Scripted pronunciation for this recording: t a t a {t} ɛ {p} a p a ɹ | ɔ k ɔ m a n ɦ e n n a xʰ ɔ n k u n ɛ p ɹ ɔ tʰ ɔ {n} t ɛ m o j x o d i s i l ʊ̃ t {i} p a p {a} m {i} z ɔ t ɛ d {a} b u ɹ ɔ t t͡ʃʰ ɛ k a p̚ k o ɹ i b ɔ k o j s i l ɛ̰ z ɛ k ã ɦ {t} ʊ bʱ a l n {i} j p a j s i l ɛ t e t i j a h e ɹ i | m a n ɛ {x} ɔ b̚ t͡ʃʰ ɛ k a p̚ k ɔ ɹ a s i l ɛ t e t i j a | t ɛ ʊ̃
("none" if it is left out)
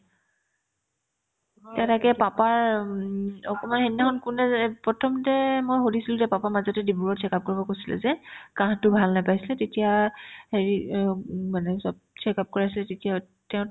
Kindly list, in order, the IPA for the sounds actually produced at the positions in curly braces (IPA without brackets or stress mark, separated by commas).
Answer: k, p, m, ɛ, a, a, i, t, a, s